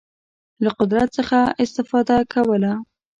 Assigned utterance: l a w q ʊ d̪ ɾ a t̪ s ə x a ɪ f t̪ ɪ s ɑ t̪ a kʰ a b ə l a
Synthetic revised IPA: l a q ʊ d̪ ɾ a t̪ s ə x a ɪ s t̪ ɪ f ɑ d̪ a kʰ a w ə l a